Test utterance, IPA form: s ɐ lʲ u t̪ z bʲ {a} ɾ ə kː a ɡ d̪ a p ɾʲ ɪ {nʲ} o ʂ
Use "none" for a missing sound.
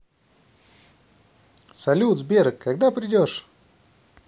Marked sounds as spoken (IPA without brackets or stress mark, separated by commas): e, dʲ